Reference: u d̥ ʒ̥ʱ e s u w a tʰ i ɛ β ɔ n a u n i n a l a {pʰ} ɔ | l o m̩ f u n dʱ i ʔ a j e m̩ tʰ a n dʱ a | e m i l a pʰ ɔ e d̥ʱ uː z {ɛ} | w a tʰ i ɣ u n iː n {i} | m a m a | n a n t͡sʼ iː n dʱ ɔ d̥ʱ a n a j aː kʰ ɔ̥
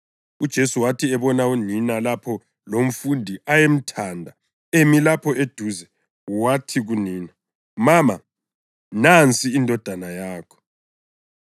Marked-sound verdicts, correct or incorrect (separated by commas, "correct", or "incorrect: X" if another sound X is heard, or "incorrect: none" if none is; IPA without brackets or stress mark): correct, correct, incorrect: a